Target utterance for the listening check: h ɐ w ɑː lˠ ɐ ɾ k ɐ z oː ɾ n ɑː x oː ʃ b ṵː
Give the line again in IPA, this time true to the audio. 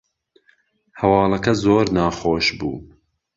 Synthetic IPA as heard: h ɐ w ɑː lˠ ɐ k ɐ z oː ɾ n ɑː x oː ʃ b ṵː